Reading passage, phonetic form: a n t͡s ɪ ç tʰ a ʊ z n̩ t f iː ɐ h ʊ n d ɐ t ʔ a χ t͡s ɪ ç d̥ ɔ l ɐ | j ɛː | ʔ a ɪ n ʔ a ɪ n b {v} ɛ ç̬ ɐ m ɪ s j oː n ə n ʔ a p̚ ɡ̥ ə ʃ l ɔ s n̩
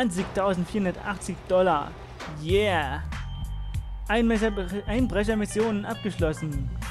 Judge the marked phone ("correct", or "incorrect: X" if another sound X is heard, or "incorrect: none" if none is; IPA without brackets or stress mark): incorrect: ʁ